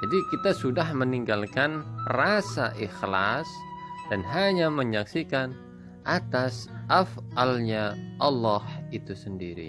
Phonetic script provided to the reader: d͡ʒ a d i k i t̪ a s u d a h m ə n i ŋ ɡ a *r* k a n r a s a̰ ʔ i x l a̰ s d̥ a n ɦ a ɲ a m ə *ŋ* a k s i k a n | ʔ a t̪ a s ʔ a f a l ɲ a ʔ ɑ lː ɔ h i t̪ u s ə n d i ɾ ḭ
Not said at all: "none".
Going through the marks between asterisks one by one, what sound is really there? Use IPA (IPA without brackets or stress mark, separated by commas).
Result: l, ɲ